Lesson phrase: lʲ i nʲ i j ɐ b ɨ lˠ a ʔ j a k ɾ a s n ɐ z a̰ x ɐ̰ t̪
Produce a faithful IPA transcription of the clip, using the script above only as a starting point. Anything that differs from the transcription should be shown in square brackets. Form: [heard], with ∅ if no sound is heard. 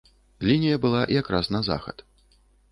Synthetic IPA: lʲ i nʲ i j ɐ b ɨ lˠ a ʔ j a k ɾ a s n ɐ z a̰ x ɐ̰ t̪